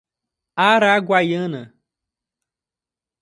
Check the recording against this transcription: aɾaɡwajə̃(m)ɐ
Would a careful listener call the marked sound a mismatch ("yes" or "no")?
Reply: yes